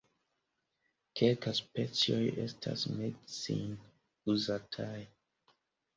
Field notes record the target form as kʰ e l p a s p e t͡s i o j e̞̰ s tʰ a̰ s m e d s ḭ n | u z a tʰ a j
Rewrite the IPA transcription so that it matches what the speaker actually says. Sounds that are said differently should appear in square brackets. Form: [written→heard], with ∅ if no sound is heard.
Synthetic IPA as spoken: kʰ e l [p→k] a s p e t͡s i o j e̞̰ s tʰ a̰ s m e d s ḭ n | u z a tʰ a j